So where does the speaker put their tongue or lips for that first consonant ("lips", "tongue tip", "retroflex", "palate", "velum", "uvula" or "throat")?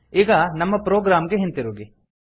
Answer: velum